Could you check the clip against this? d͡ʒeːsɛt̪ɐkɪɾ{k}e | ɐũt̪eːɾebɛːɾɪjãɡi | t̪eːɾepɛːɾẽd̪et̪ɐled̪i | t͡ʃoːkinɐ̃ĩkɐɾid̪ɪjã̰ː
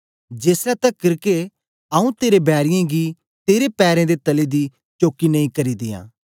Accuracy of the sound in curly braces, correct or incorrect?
correct